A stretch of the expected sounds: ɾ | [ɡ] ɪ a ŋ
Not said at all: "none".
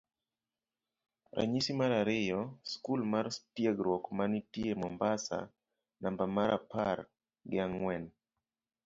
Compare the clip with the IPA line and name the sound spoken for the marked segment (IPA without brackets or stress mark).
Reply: ɡ